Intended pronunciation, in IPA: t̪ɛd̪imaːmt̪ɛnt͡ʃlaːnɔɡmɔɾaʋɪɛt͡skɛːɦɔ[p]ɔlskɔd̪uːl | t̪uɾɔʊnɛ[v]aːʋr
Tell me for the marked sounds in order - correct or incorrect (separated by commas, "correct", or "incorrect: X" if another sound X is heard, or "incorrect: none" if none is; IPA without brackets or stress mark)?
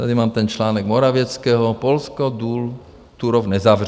correct, incorrect: z